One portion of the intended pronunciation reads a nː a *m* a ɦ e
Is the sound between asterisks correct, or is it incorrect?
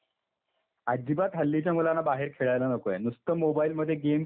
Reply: incorrect